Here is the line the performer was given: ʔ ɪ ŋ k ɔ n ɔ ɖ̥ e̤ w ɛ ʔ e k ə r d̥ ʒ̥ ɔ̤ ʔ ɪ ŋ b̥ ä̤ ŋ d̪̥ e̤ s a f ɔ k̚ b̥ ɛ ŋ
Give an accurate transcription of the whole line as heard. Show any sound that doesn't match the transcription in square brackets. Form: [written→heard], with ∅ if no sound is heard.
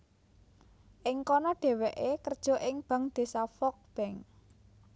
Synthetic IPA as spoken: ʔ ɪ ŋ k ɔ n ɔ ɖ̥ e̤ w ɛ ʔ e k ə r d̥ ʒ̥ ɔ̤ ʔ ɪ ŋ b̥ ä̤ ŋ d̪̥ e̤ s a f ɔ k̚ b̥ ɛ ŋ